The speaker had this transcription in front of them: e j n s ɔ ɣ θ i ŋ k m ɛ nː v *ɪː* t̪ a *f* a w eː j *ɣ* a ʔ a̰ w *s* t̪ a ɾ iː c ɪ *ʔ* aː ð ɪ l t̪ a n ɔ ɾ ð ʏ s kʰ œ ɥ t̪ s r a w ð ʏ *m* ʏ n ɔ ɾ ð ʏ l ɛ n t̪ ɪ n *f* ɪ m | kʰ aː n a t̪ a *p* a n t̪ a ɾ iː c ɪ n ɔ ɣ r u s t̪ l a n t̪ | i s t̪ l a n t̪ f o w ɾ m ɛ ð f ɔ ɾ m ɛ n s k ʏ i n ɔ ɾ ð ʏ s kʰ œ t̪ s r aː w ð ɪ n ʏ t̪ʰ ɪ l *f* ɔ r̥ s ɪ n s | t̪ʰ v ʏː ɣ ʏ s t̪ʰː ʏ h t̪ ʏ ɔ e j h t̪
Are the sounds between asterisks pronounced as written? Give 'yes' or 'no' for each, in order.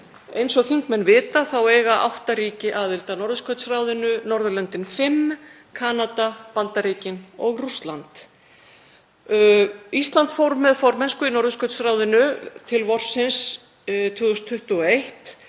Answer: yes, no, yes, no, yes, no, yes, yes, no

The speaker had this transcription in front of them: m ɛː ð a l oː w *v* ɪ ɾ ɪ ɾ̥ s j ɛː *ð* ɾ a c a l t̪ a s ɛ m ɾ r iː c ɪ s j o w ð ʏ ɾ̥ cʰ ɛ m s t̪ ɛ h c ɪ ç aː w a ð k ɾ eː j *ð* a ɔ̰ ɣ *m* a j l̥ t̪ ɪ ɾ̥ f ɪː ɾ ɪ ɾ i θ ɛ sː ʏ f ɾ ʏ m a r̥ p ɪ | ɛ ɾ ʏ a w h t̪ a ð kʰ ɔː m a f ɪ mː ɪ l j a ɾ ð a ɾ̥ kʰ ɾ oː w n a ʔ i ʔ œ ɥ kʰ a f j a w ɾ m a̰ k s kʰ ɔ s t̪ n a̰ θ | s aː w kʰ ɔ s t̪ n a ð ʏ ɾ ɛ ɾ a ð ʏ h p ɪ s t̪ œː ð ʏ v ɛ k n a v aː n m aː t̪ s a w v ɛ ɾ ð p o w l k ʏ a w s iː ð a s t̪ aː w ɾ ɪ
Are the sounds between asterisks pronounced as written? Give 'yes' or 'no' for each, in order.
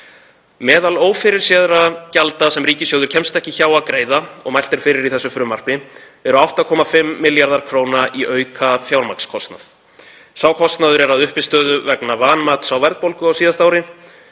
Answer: no, yes, yes, yes

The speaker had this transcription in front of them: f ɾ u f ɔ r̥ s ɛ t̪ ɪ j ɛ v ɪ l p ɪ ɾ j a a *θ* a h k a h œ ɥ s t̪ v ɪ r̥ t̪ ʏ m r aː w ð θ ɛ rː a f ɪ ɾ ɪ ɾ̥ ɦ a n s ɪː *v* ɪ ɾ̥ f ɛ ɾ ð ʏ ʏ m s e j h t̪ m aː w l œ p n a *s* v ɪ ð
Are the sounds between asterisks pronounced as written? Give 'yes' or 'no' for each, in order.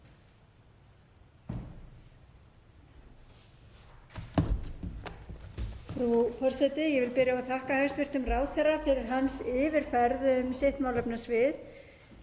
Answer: yes, yes, yes

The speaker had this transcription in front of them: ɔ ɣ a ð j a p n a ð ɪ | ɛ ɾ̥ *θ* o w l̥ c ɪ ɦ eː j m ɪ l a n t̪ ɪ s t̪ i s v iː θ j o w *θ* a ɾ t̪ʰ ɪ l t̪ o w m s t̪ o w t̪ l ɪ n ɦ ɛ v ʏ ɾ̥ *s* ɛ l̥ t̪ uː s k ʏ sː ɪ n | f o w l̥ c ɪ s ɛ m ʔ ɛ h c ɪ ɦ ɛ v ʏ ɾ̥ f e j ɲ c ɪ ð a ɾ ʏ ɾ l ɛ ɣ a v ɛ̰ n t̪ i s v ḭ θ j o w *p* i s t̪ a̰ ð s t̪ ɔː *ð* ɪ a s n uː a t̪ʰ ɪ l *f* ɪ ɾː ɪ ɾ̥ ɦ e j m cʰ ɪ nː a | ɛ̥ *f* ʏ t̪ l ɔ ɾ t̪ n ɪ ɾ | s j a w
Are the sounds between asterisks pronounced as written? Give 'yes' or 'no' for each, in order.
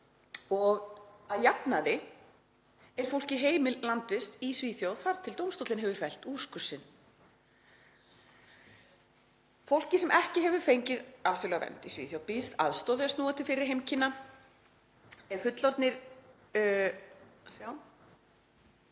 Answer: no, yes, no, yes, yes, yes, yes

